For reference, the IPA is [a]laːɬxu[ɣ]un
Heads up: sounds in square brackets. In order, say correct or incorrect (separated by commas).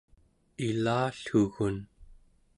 incorrect, correct